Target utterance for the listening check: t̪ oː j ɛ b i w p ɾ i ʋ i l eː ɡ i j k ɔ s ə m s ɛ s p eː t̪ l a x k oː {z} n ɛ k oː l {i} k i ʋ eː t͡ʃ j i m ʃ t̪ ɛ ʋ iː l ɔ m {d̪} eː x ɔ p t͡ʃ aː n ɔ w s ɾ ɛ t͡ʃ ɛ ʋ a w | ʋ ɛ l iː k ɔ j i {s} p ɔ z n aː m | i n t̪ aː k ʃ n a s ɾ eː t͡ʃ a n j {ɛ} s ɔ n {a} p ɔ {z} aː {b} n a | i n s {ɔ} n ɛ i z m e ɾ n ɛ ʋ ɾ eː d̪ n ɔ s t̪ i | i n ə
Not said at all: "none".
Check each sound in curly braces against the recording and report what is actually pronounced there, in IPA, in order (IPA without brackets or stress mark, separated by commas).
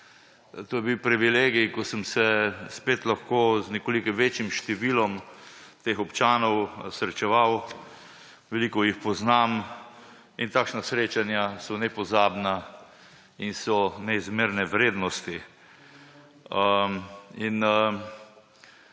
z, i, t̪, x, a, ɛ, z, b, ɔ